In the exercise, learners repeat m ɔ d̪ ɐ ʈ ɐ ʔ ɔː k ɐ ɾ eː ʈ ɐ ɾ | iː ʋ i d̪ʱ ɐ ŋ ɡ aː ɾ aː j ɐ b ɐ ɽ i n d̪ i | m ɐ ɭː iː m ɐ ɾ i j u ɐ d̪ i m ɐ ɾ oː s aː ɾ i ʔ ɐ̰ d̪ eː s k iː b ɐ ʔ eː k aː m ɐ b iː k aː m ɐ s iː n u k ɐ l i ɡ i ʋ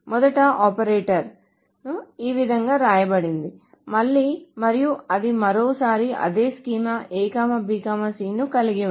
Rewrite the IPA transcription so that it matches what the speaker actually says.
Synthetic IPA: m ɔ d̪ ɐ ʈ ɐ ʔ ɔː p ɐ ɾ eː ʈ ɐ ɾ | iː ʋ i d̪ʱ ɐ ŋ ɡ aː ɾ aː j ɐ b ɐ ɽ i n d̪ i | m ɐ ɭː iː m ɐ ɾ i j u ɐ d̪ i m ɐ ɾ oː s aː ɾ i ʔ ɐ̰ d̪ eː s k iː m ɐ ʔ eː k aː m ɐ b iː k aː m ɐ s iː n u k ɐ l i ɡ i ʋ